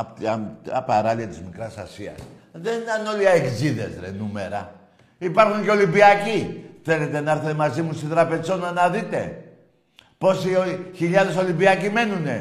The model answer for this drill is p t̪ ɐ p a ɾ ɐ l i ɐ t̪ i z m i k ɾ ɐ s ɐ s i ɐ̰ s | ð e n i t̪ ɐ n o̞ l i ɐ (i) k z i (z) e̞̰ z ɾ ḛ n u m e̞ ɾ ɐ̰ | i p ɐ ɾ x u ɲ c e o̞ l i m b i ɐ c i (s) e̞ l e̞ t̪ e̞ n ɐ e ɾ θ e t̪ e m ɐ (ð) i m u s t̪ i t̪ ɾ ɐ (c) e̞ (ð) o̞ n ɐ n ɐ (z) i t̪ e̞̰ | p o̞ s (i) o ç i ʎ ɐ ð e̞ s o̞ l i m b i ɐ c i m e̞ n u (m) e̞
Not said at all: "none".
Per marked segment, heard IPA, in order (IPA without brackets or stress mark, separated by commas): e, ð, θ, z, p, z, ð, i, n